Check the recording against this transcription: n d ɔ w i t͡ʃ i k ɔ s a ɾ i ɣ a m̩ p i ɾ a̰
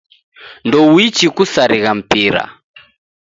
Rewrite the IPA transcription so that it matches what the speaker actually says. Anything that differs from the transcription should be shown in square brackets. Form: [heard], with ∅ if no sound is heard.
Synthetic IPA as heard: n d ɔ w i t͡ʃ i k [u] s a ɾ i ɣ a m̩ p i ɾ a̰